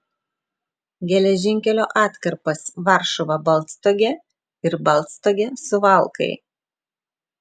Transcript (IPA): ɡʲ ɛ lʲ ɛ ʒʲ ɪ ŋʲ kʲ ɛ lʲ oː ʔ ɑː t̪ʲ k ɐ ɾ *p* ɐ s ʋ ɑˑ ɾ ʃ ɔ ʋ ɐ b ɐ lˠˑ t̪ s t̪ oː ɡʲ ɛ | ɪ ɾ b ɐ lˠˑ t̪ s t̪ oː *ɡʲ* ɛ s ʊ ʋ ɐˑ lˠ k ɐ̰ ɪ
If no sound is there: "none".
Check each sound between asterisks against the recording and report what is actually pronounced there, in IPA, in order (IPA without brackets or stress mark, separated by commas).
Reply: p, ɡʲ